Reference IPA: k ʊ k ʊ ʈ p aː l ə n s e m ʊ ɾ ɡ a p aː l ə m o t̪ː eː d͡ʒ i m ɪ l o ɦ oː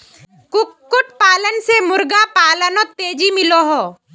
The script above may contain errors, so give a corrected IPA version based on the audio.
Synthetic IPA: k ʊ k ʊ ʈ p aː l ə n s e m ʊ ɾ ɡ a p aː l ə n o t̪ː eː d͡ʒ i m ɪ l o ɦ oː